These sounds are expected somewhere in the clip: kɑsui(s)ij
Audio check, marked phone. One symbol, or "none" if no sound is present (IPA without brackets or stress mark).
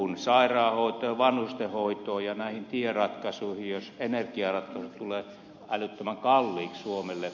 h